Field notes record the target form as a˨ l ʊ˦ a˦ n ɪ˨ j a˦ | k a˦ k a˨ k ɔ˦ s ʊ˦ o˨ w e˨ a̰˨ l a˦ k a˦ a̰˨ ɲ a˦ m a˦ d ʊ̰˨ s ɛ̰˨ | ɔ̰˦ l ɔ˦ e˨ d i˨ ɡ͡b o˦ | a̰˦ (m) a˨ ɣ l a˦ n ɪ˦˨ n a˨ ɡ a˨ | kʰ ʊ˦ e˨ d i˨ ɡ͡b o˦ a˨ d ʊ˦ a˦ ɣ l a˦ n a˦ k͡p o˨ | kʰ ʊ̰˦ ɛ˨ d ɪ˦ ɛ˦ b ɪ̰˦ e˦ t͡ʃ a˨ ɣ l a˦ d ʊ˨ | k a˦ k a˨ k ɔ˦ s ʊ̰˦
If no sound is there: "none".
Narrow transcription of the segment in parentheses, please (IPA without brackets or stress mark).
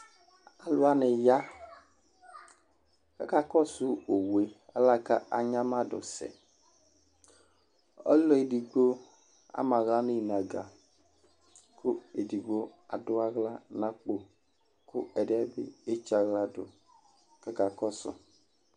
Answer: m